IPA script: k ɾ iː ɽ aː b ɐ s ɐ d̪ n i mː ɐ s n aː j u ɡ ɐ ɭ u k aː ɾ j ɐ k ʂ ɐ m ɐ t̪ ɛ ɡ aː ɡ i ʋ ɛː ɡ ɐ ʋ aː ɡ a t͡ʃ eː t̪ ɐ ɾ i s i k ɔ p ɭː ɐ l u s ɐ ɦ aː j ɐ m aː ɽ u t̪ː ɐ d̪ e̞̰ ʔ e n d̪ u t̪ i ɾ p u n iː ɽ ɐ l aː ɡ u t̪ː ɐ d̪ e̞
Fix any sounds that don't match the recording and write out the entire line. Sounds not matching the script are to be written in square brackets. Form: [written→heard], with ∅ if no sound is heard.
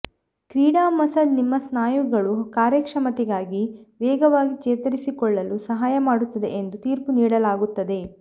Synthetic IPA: k ɾ iː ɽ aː [b→m] ɐ s ɐ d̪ n i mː ɐ s n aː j u ɡ ɐ ɭ u k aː ɾ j ɐ k ʂ ɐ m ɐ t̪ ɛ ɡ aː ɡ i ʋ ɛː ɡ ɐ ʋ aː ɡ [a→i] t͡ʃ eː t̪ ɐ ɾ i s i k ɔ [p→∅] ɭː ɐ l u s ɐ ɦ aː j ɐ m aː ɽ u t̪ː ɐ d̪ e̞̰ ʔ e n d̪ u t̪ [i→iː] ɾ p u n iː ɽ ɐ l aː ɡ u t̪ː ɐ d̪ e̞

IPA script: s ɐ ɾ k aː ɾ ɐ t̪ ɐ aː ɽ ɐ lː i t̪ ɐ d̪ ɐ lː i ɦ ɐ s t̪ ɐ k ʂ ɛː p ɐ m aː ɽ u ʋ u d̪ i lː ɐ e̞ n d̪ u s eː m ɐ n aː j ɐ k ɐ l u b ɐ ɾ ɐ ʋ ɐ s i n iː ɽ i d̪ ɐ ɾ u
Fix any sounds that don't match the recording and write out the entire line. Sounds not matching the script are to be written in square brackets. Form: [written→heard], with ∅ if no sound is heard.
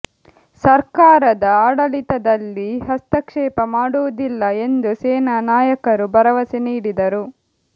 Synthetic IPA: s ɐ ɾ k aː ɾ ɐ [t̪→d̪] ɐ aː ɽ ɐ [lː→l] i t̪ ɐ d̪ ɐ lː i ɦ ɐ s t̪ ɐ k ʂ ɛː p ɐ m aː ɽ u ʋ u d̪ i lː ɐ e̞ n d̪ u s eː [m→n] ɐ n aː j ɐ k ɐ [l→ɾ] u b ɐ ɾ ɐ ʋ ɐ s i n iː ɽ i d̪ ɐ ɾ u

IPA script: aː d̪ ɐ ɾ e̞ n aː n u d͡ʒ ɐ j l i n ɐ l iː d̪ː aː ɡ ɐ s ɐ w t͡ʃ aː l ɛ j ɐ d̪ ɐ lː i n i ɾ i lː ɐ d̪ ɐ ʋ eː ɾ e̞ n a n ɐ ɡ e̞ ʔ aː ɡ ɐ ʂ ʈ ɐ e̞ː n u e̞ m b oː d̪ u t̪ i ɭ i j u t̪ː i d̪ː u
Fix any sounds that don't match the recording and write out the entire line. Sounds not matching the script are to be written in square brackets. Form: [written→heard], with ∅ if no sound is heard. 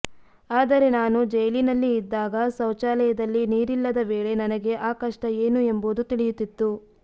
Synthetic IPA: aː d̪ ɐ ɾ e̞ n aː n u d͡ʒ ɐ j l i n ɐ [l→lː] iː d̪ː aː ɡ ɐ s ɐ w t͡ʃ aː l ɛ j ɐ d̪ ɐ lː i n [i→iː] ɾ i lː ɐ d̪ ɐ ʋ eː [ɾ→ɭ] e̞ n [a→ɐ] n ɐ ɡ e̞ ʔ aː [ɡ→k] ɐ ʂ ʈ ɐ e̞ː n u e̞ m b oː d̪ u t̪ i ɭ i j u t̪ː i [d̪ː→t̪ː] u

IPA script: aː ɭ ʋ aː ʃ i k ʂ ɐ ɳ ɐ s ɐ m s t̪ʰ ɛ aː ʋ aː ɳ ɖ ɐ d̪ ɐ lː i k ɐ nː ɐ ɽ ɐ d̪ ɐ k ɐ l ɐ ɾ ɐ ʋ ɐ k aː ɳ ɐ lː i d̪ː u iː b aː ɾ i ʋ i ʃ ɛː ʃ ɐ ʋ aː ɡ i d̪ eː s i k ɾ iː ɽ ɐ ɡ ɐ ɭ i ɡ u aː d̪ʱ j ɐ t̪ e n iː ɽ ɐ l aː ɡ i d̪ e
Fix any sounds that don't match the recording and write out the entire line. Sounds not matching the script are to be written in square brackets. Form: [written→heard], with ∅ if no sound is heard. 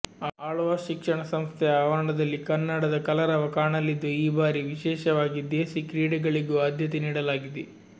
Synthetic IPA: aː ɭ ʋ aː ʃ i k ʂ ɐ ɳ ɐ s ɐ m s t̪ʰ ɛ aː ʋ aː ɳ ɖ ɐ d̪ ɐ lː i k ɐ nː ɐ ɽ ɐ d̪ ɐ k ɐ l ɐ ɾ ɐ ʋ ɐ k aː ɳ ɐ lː i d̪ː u iː b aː ɾ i ʋ i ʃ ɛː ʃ ɐ ʋ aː ɡ i d̪ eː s i k ɾ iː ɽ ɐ ɡ ɐ ɭ i ɡ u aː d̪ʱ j ɐ t̪ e n iː ɽ ɐ l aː ɡ i d̪ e

